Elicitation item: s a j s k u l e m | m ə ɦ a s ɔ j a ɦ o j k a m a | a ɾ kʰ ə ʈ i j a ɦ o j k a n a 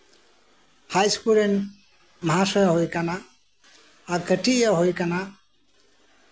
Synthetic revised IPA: h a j s k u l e n | m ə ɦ a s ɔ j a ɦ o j k a n a | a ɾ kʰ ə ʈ i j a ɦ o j k a n a